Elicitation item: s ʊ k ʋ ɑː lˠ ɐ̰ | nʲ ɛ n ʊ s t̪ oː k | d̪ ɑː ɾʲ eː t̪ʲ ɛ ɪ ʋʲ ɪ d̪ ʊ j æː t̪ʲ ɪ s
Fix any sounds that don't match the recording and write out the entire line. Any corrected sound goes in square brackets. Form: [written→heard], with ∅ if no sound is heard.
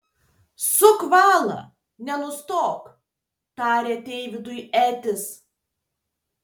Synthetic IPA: s ʊ k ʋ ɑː lˠ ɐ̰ | nʲ ɛ n ʊ s t̪ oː k | [d̪→t̪] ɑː ɾʲ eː t̪ʲ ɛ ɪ ʋʲ ɪ d̪ ʊ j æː t̪ʲ ɪ s